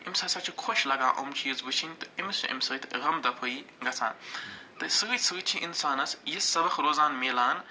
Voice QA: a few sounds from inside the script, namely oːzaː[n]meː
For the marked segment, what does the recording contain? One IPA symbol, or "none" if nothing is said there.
n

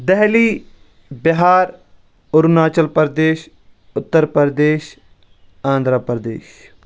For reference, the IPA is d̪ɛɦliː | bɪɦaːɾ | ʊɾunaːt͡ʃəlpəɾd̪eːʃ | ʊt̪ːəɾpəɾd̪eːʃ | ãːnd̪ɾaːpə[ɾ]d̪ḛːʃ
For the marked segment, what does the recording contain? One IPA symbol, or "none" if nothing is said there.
ɾ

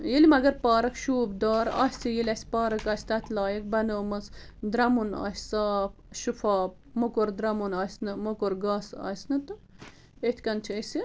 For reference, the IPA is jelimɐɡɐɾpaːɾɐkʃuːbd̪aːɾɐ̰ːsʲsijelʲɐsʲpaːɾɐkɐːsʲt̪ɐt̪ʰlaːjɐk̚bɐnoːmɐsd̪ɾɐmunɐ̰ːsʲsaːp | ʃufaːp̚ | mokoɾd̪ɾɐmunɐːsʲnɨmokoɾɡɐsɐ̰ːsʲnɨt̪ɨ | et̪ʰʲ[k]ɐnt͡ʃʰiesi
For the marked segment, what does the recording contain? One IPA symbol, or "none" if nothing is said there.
k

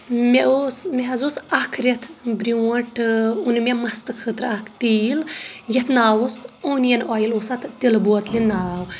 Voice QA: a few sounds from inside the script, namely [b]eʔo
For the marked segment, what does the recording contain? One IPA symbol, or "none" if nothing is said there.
m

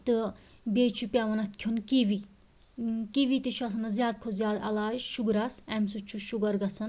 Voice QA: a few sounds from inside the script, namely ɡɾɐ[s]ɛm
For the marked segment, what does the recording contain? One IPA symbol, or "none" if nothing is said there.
s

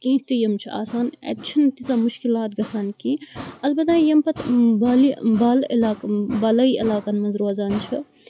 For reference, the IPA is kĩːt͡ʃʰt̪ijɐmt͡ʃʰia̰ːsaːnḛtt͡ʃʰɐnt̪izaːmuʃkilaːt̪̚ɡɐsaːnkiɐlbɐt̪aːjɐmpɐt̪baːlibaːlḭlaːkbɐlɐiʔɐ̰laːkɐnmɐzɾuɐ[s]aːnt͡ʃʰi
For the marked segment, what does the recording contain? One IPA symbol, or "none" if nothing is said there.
z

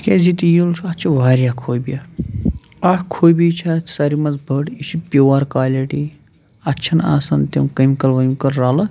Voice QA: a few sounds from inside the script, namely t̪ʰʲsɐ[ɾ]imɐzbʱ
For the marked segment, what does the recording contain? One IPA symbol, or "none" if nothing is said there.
ɾ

